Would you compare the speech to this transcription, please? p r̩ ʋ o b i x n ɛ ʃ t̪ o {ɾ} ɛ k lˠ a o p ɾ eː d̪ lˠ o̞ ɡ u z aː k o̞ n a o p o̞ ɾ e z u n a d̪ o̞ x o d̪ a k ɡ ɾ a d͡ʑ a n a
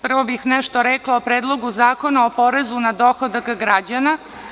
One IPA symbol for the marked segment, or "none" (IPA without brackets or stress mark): ɾ